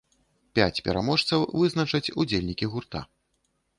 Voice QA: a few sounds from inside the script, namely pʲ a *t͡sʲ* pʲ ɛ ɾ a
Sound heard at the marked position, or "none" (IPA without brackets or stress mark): t͡sʲ